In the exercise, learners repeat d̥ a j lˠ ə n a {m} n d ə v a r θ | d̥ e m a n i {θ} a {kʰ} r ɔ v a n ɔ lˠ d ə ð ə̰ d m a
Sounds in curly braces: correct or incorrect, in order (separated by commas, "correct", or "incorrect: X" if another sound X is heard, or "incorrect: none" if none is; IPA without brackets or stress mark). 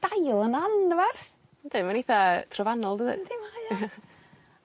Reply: incorrect: none, correct, incorrect: tʰ